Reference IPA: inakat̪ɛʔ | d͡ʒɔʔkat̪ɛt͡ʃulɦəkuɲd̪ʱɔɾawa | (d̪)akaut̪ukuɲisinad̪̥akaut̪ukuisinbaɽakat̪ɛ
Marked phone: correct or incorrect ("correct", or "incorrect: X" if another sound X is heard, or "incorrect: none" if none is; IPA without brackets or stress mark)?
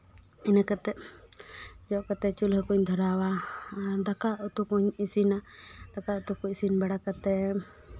correct